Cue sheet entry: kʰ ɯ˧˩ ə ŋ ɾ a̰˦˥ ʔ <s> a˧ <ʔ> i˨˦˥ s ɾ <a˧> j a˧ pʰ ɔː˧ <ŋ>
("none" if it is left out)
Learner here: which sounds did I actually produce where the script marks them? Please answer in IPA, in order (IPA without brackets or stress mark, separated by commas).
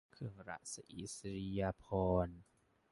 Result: s, ʔ, i˧, n